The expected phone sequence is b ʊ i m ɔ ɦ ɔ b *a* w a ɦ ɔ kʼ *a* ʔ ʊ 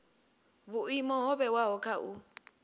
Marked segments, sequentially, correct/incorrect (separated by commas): incorrect, correct